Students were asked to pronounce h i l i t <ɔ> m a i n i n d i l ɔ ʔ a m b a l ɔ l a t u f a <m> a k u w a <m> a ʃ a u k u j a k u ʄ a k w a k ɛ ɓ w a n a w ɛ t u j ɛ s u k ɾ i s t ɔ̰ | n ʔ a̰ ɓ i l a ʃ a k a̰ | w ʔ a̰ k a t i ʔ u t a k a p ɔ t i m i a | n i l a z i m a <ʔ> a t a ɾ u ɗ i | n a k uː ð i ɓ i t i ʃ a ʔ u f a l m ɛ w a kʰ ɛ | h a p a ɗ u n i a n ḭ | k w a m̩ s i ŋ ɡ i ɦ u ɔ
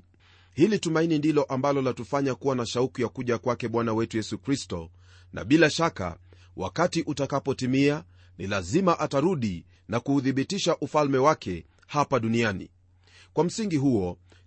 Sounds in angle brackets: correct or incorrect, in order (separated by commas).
incorrect, incorrect, incorrect, correct